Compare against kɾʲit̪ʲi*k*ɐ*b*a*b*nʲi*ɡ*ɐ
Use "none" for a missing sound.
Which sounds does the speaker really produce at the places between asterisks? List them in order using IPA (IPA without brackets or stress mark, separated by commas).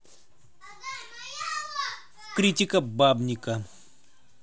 k, b, b, k